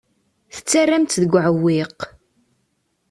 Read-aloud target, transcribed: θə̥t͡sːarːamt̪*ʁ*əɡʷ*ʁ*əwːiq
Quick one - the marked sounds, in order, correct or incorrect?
incorrect: ð, incorrect: ʕ

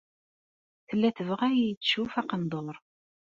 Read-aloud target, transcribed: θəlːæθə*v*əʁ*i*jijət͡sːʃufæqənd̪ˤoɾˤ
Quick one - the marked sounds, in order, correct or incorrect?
correct, incorrect: æ

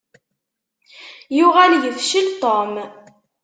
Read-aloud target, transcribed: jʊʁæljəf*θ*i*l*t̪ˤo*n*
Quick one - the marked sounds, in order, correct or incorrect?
incorrect: ʃ, correct, incorrect: m

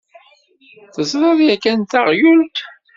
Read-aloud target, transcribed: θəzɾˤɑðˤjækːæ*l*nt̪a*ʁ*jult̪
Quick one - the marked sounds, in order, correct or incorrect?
incorrect: none, correct

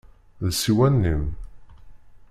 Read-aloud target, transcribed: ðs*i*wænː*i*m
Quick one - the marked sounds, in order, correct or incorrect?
correct, correct

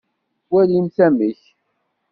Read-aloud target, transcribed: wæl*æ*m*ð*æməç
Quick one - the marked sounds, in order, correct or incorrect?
incorrect: i, incorrect: θ

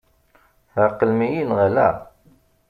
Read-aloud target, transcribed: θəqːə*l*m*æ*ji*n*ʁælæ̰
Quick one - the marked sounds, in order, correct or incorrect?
correct, incorrect: i, correct

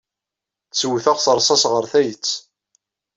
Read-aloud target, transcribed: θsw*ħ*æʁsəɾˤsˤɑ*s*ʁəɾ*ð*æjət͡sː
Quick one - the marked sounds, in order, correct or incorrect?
incorrect: θ, correct, incorrect: θ

